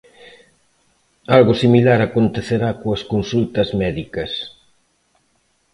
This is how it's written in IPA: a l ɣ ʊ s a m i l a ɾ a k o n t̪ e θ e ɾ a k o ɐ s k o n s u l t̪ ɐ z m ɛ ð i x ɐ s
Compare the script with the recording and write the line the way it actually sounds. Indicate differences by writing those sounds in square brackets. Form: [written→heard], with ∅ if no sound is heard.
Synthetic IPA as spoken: a l ɣ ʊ s [a→i] m i l a ɾ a k o n t̪ e θ e ɾ a k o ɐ s k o n s u l t̪ ɐ z m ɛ ð i [x→k] ɐ s